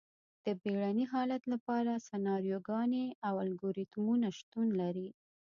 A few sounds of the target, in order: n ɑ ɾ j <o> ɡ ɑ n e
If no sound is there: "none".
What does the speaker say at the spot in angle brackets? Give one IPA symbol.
o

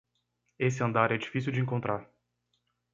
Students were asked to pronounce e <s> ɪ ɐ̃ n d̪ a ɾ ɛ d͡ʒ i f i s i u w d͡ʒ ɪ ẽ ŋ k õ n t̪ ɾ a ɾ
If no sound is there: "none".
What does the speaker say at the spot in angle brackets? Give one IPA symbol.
s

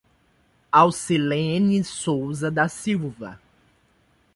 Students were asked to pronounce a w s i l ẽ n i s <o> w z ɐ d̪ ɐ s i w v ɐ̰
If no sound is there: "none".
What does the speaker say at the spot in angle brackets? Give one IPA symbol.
o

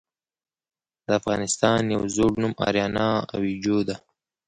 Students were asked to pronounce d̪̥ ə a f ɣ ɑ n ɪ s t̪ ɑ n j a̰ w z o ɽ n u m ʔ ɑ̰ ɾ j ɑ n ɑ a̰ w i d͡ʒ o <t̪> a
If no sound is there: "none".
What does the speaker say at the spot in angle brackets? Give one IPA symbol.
d̪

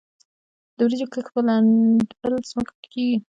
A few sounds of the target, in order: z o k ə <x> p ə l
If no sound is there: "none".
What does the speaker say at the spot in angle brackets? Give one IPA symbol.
x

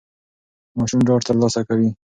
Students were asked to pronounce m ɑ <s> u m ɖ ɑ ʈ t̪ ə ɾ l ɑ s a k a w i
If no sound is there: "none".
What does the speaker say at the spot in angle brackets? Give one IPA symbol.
ʃ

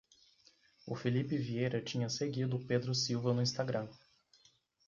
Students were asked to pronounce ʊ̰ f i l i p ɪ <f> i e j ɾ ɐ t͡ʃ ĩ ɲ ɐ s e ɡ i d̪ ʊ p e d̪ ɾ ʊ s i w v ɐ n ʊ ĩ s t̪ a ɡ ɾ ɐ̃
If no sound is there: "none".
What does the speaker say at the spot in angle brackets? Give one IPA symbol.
v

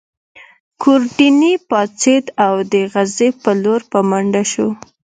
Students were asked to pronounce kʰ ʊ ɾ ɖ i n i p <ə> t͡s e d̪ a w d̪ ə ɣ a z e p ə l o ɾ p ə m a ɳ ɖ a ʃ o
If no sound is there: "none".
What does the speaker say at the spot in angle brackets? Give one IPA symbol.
ɑ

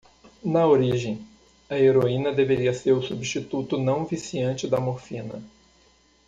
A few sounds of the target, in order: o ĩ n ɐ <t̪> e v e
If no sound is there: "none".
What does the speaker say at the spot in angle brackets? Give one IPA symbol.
d̪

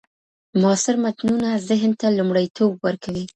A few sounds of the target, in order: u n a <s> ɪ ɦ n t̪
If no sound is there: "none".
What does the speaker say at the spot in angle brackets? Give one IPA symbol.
z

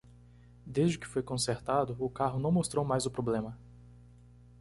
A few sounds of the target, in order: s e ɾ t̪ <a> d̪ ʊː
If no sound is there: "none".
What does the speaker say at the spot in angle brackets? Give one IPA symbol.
a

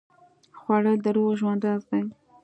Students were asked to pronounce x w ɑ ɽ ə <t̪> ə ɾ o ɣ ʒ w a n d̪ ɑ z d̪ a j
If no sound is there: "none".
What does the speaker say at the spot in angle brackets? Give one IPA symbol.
d̪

